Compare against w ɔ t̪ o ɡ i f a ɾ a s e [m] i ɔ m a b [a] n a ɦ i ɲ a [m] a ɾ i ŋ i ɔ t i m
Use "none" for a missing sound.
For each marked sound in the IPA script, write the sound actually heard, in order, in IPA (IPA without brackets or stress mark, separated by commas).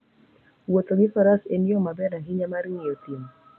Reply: n, ɛ, m